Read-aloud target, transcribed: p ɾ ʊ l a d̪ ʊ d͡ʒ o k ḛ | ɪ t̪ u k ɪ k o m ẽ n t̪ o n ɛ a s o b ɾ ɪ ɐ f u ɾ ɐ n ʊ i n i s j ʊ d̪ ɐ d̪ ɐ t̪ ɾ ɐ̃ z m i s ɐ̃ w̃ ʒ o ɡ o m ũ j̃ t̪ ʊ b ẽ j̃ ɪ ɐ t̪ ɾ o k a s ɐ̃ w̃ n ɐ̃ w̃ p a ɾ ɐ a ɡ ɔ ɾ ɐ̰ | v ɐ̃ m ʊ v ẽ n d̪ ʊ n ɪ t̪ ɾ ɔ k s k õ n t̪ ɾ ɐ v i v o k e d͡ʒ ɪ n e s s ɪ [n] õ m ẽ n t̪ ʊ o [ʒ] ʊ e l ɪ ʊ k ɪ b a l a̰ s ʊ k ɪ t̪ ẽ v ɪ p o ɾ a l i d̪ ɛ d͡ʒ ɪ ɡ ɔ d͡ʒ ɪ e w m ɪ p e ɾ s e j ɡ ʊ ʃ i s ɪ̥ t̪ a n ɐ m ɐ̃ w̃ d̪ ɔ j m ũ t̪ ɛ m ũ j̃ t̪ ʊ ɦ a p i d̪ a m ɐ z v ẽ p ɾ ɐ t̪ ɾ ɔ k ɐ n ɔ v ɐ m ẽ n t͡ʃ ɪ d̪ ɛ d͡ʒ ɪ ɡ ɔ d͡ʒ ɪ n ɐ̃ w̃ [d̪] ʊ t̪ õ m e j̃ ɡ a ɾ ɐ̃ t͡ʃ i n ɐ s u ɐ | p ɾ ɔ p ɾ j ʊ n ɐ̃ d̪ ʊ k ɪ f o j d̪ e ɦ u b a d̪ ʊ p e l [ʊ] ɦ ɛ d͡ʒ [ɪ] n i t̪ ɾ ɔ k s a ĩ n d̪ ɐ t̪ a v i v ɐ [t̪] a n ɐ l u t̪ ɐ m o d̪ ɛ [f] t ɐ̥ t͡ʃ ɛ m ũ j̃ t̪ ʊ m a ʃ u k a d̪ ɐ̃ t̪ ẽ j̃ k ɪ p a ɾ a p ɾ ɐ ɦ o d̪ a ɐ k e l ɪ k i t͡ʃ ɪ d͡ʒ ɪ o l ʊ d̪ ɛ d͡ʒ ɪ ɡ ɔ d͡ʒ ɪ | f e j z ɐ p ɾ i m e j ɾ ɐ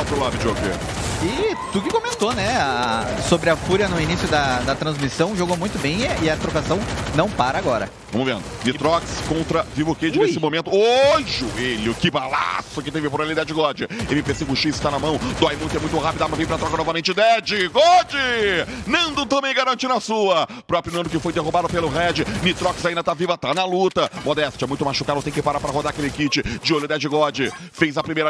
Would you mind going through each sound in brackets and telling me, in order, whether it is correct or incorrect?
incorrect, correct, correct, correct, correct, correct, incorrect

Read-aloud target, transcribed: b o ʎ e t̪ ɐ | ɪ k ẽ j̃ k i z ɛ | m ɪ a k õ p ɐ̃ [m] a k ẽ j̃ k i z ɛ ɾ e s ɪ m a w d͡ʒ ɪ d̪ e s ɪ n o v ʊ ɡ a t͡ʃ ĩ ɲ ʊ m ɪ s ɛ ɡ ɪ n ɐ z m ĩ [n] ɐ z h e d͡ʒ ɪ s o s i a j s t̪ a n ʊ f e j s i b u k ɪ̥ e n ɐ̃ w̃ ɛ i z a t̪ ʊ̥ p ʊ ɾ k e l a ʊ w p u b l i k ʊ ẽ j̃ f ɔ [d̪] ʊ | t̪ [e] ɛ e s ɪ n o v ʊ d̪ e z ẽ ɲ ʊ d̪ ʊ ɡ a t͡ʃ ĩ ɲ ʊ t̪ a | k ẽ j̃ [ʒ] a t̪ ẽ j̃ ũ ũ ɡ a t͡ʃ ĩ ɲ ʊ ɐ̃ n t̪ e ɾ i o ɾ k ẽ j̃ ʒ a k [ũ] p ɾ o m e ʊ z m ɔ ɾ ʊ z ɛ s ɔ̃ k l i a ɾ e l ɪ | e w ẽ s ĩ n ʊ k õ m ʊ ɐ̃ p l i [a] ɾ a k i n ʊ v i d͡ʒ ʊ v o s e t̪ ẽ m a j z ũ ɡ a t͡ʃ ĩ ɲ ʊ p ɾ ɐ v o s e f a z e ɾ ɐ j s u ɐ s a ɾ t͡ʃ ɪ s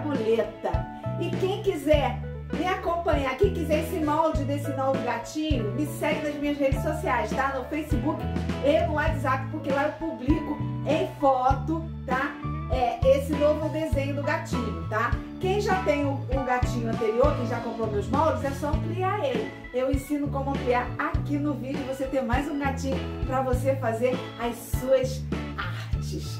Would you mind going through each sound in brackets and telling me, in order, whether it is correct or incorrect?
incorrect, incorrect, incorrect, incorrect, correct, incorrect, correct

